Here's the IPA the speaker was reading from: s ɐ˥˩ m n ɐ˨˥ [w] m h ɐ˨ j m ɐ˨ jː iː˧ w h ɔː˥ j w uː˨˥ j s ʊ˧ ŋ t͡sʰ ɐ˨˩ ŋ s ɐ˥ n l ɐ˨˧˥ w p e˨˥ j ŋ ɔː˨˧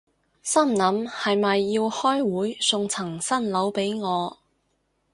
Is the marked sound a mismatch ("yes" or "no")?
yes